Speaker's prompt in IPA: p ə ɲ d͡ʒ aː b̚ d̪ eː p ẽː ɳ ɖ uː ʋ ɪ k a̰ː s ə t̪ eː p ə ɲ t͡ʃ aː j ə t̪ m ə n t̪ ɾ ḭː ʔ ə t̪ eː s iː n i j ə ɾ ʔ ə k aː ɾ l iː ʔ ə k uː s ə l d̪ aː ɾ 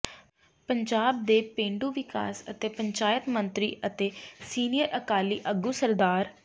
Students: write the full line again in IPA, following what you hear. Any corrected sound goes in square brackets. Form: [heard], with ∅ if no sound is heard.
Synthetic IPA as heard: p ə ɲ d͡ʒ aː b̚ d̪ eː p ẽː ɳ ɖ uː ʋ ɪ k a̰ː s ə t̪ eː p ə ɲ t͡ʃ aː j ə t̪ m ə n t̪ ɾ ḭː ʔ ə t̪ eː s iː n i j ə ɾ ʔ ə k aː [∅] l iː ʔ ə [ɡ] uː s ə [ɾ] d̪ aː ɾ